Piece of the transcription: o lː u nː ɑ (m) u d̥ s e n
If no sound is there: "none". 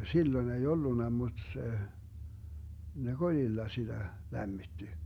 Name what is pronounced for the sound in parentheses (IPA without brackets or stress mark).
m